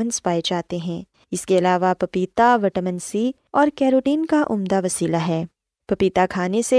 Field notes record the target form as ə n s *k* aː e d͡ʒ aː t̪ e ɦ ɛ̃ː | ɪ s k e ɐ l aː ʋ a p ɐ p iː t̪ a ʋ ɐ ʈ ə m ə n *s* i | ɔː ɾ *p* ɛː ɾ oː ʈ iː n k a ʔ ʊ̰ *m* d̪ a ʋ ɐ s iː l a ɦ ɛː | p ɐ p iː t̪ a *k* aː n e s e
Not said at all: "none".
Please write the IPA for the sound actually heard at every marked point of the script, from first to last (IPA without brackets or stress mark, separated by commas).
p, s, k, m, kʰ